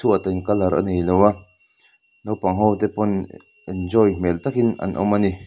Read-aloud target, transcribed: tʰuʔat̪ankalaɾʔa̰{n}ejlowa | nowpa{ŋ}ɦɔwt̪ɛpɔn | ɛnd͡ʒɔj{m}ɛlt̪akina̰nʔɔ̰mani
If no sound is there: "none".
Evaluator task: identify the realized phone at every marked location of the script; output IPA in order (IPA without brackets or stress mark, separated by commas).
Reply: n, ŋ, m